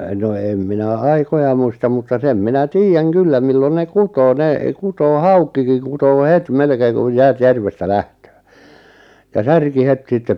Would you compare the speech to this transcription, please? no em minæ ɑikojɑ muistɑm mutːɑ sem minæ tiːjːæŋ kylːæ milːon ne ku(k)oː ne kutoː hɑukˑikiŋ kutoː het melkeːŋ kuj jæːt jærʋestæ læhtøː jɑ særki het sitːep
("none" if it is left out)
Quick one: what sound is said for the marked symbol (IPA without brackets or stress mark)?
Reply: t